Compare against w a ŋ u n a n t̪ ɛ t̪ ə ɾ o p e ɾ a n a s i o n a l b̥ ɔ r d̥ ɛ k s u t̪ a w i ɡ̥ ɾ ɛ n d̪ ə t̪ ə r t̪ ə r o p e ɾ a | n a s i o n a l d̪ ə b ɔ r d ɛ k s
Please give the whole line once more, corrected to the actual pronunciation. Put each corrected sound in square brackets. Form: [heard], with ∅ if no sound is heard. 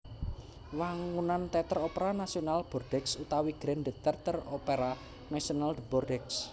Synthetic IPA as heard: w a ŋ u n a n t̪ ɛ t̪ ə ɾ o p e ɾ a n a s i o n a l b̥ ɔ r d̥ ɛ k s u t̪ a w i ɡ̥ ɾ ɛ n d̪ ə t̪ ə r t̪ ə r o p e ɾ a | n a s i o n a l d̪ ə b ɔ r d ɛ k s